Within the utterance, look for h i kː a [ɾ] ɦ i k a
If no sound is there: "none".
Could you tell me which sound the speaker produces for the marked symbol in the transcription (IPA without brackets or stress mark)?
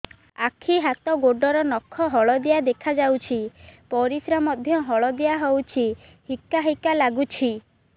none